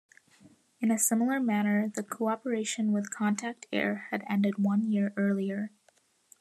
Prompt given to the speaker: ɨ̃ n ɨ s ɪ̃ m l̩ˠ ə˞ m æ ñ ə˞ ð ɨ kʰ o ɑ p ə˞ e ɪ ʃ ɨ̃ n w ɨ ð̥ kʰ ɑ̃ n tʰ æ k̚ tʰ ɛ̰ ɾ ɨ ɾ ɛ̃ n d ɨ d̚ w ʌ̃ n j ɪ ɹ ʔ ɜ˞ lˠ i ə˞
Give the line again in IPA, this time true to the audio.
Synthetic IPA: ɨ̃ n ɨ s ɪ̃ m l̩ˠ ə˞ m æ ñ ə˞ ð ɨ kʰ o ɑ p ə˞ e ɪ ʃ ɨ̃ n w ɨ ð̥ kʰ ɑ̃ n tʰ æ k̚ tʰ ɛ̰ ɹ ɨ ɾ ɛ̃ n d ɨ d̚ w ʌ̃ n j ɪ ɹ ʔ ɜ˞ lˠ i ə˞